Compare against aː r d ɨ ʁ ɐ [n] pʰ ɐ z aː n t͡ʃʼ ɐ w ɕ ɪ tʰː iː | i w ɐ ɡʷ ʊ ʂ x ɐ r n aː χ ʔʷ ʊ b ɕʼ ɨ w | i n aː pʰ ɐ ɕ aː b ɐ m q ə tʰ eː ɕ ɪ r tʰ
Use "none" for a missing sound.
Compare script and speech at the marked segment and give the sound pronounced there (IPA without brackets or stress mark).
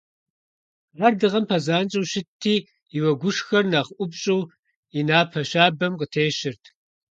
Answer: m